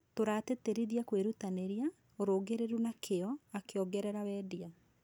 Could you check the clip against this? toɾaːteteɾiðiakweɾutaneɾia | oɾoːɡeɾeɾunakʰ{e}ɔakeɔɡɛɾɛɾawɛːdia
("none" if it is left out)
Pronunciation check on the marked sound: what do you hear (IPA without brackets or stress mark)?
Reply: e